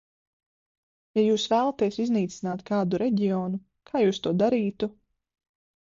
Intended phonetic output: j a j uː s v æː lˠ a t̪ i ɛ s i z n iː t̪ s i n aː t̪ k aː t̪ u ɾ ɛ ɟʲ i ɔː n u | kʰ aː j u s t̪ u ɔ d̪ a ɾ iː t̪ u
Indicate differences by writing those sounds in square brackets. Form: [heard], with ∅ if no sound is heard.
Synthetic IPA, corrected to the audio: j a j uː s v æː lˠ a t̪ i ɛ s i z n iː t̪ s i n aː t̪ k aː [d̪] u ɾ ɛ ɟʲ i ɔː n u | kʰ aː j [uː] s t̪ u ɔ d̪ a ɾ iː t̪ u